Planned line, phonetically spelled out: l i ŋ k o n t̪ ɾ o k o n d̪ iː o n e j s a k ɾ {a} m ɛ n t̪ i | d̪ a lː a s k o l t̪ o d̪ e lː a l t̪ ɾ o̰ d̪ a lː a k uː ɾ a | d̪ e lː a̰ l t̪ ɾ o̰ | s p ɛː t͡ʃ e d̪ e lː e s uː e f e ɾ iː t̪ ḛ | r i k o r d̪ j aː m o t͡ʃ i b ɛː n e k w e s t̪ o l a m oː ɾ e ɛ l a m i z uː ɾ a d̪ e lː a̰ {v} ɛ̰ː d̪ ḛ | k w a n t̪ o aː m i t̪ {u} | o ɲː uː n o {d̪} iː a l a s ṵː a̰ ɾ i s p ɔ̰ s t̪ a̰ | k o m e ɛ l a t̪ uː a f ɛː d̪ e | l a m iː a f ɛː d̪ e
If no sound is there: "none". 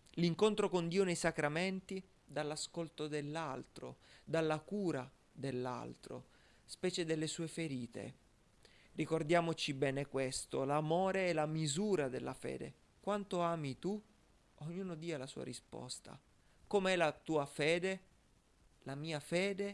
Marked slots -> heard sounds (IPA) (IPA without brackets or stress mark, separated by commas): a, f, u, d̪